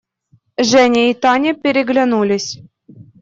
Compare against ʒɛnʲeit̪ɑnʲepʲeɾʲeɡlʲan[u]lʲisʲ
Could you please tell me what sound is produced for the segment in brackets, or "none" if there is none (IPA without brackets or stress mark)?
u